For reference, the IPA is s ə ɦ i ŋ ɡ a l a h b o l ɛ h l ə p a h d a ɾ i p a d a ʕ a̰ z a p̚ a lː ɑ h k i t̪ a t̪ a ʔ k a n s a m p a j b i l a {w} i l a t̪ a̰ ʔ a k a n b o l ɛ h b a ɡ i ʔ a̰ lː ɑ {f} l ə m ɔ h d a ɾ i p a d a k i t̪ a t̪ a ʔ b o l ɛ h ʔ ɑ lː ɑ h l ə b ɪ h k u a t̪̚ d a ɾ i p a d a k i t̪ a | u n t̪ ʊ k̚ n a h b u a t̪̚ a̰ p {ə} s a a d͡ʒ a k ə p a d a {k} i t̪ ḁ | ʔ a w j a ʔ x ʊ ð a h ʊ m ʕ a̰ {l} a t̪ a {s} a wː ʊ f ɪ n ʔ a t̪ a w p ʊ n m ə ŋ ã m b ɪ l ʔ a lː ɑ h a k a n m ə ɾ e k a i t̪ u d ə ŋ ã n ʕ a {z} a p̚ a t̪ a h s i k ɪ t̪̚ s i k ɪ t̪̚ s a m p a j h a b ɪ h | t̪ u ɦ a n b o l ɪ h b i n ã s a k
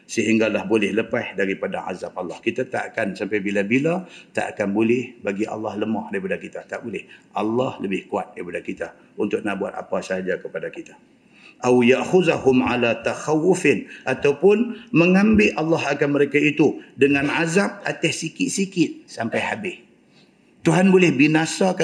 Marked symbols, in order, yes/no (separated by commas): no, no, no, yes, yes, no, yes